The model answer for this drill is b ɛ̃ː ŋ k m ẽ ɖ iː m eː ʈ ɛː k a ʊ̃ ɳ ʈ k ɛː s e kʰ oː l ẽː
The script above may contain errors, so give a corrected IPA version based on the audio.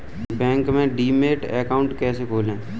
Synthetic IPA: b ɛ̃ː ŋ k m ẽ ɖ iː m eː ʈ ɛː k a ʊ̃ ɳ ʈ k ɛː s e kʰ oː l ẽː